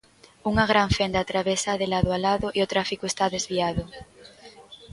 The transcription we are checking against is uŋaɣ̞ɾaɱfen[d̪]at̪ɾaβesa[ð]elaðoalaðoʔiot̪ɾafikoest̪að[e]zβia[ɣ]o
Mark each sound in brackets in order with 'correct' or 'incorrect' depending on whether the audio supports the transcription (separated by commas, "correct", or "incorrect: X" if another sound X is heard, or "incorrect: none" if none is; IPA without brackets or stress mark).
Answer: correct, correct, correct, incorrect: ð